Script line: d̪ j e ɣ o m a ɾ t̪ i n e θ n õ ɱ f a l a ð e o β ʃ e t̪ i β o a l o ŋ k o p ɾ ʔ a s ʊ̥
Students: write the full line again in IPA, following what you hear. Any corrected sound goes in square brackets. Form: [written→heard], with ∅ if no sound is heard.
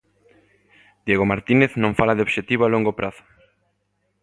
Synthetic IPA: d̪ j e ɣ o m a ɾ t̪ i n e θ n õ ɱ f a l a ð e o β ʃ e t̪ i β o a l o ŋ [k→ɡ] o p ɾ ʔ a [s→θ] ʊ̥